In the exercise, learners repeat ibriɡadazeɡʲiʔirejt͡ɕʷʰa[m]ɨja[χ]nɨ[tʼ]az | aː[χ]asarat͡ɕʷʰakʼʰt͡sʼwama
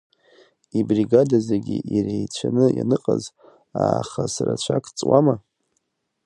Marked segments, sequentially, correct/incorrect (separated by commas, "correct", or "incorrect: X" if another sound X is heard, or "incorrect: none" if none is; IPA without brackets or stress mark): incorrect: n, incorrect: none, incorrect: qʼ, correct